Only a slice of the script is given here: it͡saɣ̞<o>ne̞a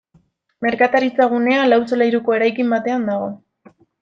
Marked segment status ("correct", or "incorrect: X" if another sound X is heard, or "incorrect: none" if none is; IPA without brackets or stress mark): incorrect: u